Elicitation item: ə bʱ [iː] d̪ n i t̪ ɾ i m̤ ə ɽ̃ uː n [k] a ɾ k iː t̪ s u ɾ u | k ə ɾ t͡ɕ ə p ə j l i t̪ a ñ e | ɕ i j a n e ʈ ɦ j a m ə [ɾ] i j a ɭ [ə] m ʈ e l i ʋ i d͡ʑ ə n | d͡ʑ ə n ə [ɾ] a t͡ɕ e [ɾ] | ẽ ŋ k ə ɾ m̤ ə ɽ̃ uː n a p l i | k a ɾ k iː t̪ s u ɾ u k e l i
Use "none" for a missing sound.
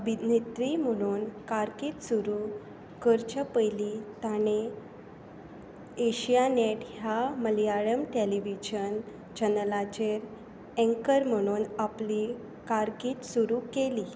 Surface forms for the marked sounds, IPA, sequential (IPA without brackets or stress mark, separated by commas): i, k, l, ə, l, ɾ